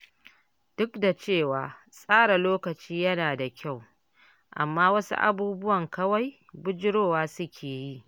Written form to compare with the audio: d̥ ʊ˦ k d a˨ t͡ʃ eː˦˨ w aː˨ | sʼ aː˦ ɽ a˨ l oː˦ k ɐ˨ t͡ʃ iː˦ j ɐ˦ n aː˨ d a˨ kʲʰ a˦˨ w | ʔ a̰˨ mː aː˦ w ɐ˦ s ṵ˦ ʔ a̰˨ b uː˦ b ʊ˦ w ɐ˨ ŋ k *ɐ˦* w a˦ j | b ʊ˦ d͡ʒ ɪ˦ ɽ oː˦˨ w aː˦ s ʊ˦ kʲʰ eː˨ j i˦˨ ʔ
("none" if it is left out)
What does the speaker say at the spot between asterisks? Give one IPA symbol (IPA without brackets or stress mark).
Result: ɐ˦